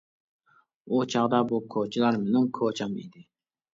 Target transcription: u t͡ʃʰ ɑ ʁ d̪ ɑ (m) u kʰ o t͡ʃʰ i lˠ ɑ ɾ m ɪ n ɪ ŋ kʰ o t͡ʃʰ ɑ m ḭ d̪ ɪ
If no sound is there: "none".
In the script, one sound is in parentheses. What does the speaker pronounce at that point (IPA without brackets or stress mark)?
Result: b